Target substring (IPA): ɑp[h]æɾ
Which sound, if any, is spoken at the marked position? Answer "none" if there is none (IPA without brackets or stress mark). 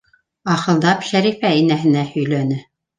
ʃ